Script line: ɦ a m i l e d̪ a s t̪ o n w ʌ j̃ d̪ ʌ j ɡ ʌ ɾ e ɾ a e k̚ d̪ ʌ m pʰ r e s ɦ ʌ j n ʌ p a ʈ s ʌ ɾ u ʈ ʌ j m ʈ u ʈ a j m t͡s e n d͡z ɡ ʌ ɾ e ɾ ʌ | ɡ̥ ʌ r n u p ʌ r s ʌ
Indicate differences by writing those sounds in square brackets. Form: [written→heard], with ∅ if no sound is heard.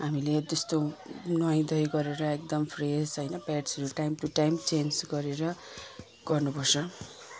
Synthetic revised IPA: ɦ a m i l e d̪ [a→ʌ] s t̪ o n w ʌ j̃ d̪ ʌ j ɡ ʌ ɾ e ɾ [a→ʌ] e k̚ d̪ ʌ m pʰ r e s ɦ ʌ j n ʌ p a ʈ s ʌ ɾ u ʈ [ʌ→a] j m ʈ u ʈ a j m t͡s e n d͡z ɡ ʌ ɾ e ɾ ʌ | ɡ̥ ʌ r n u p ʌ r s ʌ